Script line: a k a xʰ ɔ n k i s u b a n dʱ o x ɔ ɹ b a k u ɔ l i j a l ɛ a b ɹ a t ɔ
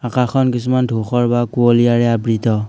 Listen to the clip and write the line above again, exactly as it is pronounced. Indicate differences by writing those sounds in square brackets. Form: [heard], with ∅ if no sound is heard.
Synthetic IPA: a k a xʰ ɔ n k i s u [m] a n dʱ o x ɔ ɹ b a k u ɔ l i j a [ɹ] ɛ a b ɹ [i] t ɔ